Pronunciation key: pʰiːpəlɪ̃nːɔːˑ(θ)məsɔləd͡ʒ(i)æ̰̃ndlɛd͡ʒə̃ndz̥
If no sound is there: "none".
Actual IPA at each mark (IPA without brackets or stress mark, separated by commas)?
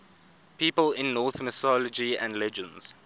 θ, i